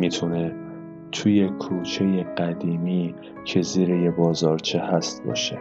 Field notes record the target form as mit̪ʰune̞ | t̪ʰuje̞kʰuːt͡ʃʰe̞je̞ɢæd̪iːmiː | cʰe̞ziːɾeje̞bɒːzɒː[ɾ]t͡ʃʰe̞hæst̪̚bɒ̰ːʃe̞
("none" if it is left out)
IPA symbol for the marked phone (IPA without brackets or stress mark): ɾ